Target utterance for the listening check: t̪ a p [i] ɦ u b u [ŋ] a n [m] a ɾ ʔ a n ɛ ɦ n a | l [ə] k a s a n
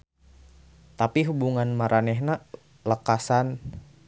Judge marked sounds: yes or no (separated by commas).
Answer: yes, yes, yes, yes